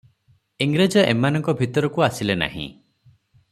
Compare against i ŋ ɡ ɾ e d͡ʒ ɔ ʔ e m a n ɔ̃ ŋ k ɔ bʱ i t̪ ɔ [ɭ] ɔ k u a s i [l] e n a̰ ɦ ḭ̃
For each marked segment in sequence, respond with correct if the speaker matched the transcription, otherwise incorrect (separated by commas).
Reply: incorrect, correct